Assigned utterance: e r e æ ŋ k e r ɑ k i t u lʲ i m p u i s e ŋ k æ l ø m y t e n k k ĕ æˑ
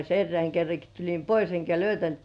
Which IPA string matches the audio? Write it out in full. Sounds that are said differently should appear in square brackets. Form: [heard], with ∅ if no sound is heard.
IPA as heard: e [rː] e æ ŋ k e [rː] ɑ k i t u lʲ i m p [o] i s e ŋ k æ l ø [∅] y t [æ] n [t] k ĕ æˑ